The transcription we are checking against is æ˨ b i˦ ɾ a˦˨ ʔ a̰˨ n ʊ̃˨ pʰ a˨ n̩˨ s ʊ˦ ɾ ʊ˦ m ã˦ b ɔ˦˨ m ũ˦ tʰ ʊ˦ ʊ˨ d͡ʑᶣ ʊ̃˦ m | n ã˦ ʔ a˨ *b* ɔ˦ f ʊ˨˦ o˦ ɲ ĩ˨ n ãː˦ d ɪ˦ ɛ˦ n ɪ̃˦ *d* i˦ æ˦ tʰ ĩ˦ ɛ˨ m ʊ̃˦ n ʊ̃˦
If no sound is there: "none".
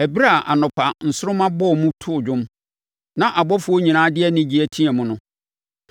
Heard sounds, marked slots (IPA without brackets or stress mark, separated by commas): b, d͡ʑ